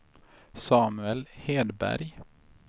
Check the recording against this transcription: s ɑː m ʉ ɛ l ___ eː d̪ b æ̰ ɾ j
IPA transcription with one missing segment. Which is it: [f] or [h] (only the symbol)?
h